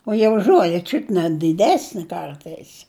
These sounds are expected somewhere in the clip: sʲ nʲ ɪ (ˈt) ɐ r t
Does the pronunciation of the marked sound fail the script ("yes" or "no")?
yes